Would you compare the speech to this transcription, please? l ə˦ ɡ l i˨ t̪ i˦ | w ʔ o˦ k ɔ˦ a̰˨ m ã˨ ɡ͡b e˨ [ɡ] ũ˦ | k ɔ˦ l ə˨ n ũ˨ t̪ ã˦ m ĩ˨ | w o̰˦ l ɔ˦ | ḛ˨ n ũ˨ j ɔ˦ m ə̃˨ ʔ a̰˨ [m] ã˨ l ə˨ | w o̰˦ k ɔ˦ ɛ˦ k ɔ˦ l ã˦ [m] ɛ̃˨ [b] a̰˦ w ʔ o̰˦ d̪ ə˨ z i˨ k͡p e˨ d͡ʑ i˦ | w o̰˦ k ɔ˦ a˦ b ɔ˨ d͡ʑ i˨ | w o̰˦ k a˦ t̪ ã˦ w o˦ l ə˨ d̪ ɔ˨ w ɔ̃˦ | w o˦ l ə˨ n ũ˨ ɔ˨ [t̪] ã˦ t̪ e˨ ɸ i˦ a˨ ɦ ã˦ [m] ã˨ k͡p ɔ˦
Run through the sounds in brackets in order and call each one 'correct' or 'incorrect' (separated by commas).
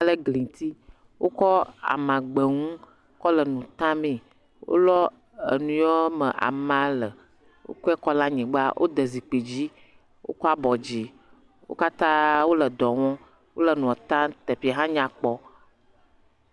incorrect, correct, incorrect, incorrect, correct, incorrect